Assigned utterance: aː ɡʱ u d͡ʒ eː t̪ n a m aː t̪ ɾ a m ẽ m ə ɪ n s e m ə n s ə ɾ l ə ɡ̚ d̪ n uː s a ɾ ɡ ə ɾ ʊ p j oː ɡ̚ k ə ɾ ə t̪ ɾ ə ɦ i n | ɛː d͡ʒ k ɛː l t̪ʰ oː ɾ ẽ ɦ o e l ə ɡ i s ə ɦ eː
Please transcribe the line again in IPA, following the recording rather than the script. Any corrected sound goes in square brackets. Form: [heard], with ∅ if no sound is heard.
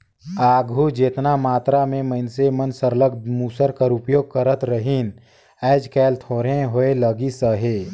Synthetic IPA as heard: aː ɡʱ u d͡ʒ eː t̪ n a m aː t̪ ɾ a m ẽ m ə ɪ n s e m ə n s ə ɾ l ə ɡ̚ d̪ [m] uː s [ə] ɾ [k] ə ɾ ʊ p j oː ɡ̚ k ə ɾ ə t̪ ɾ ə ɦ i n | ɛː d͡ʒ k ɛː l t̪ʰ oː ɾ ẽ ɦ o e l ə ɡ i s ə ɦ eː